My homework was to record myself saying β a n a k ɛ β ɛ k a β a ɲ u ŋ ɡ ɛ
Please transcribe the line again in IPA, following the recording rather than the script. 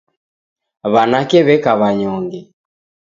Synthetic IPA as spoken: β a n a k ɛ β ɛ k a β a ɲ ɔ ŋ ɡ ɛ